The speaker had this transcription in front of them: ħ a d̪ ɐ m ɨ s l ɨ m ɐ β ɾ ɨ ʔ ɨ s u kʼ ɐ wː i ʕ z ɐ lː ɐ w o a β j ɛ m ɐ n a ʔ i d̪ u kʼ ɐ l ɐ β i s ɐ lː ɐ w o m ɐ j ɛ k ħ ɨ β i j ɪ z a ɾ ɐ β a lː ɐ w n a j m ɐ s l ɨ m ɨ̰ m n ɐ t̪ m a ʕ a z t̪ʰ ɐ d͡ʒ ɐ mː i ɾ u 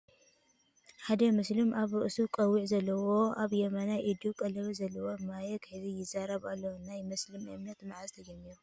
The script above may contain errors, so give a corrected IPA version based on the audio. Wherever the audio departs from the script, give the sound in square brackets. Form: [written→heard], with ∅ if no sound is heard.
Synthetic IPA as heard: ħ a d̪ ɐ m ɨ s l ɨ m [ɐ→a] β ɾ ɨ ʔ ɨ s u kʼ ɐ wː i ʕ z ɐ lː ɐ w o a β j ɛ m ɐ n a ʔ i d̪ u kʼ ɐ l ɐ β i [s→z] ɐ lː ɐ w o m [ɐ→a] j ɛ k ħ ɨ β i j ɪ z a ɾ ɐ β a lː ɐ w n a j m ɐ s l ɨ m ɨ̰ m n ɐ t̪ m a ʕ a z t̪ʰ ɐ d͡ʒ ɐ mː i ɾ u